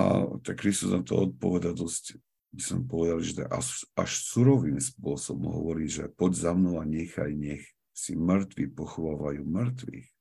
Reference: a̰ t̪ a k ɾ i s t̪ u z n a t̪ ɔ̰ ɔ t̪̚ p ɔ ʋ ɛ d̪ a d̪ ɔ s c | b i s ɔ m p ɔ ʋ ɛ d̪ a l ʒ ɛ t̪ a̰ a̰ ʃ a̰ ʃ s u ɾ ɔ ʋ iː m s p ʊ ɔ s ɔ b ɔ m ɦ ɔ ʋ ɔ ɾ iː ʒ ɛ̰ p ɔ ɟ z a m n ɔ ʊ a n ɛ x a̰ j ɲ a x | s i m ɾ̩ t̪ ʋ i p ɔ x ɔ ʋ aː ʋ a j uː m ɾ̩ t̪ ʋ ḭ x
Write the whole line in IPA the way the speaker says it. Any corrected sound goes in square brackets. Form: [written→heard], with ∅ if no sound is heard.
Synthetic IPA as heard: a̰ t̪ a k ɾ i s t̪ u z n a t̪ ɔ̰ ɔ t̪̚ p ɔ ʋ ɛ d̪ a d̪ ɔ s c | b i s ɔ m p ɔ ʋ ɛ d̪ a l ʒ ɛ t̪ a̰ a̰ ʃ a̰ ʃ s u ɾ ɔ ʋ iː m s p ʊ ɔ s ɔ b ɔ m ɦ ɔ ʋ ɔ ɾ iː ʒ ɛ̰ p ɔ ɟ z a m n ɔ ʊ a [n→ɲ] ɛ x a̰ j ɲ [a→ɛ] x | s i m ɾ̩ t̪ ʋ i p ɔ x ɔ ʋ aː ʋ a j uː m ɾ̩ t̪ ʋ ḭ x